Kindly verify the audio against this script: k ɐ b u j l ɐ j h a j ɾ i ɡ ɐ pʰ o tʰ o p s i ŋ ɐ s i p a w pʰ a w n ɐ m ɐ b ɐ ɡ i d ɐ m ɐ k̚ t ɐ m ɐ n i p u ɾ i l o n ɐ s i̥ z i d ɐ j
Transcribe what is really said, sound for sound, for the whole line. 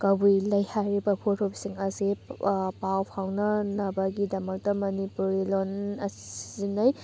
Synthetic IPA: k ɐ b u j l ɐ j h a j ɾ i b ɐ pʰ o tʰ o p s i ŋ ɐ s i p a w pʰ a w n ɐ n ɐ b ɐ ɡ i d ɐ m ɐ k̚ t ɐ m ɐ n i p u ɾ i l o n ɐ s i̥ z i n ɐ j